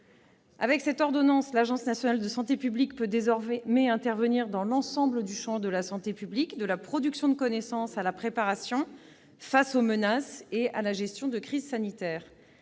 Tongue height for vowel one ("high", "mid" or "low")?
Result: low